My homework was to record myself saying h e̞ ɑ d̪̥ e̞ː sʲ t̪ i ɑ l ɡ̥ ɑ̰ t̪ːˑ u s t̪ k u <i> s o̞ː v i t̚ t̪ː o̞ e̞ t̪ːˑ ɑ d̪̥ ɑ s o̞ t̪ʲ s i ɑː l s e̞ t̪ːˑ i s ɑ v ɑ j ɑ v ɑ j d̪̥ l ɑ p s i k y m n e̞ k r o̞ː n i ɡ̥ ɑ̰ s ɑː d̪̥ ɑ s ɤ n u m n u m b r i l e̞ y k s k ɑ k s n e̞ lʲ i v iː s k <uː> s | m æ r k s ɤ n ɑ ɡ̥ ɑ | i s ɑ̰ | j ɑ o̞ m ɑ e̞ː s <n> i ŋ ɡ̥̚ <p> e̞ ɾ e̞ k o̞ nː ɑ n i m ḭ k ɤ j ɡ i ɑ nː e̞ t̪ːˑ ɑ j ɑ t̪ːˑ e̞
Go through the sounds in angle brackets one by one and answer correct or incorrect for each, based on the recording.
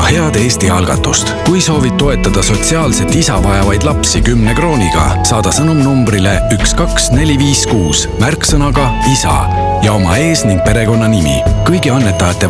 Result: incorrect: j, correct, correct, correct

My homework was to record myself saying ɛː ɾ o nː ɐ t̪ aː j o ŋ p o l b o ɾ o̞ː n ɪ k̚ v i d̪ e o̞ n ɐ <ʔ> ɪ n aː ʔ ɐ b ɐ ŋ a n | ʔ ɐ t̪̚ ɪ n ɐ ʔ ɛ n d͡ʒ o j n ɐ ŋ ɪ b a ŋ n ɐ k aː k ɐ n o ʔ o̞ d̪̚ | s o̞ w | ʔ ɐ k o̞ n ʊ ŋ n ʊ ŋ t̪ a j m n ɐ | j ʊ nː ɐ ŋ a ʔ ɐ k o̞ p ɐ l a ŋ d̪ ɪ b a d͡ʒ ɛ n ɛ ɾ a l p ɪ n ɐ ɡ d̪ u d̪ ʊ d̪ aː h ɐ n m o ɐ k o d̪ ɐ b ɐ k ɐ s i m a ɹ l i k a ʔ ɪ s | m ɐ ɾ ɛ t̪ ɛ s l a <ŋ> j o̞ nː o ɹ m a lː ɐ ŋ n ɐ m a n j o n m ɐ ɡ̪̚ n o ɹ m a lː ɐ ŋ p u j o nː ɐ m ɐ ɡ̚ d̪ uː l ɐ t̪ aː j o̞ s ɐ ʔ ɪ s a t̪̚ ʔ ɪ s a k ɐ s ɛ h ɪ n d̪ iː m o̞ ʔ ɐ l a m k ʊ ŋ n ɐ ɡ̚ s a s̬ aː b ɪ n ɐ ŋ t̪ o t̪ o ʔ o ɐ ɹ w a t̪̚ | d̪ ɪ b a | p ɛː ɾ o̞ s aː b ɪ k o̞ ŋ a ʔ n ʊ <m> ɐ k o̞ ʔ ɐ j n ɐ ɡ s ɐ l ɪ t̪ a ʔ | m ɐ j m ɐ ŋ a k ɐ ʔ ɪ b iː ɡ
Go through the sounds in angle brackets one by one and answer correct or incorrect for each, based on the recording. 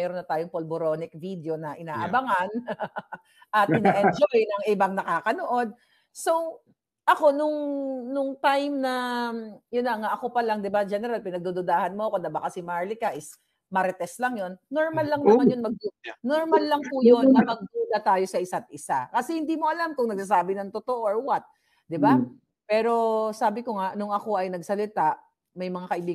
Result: correct, correct, incorrect: ŋ

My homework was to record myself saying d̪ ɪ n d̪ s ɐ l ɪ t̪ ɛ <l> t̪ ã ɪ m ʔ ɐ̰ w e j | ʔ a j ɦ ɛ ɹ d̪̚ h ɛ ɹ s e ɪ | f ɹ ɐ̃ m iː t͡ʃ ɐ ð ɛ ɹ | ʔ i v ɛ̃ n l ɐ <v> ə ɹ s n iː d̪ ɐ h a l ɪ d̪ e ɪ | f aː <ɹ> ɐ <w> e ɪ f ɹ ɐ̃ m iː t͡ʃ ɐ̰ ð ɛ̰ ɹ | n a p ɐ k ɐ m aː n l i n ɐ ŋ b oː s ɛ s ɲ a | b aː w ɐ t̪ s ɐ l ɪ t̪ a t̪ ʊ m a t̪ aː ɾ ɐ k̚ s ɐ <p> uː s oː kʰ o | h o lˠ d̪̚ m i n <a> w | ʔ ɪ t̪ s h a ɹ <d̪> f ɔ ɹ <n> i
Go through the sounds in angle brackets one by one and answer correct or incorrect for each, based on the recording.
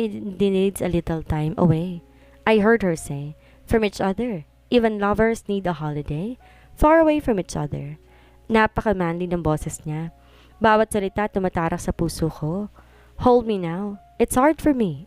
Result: correct, correct, correct, correct, correct, correct, correct, incorrect: m

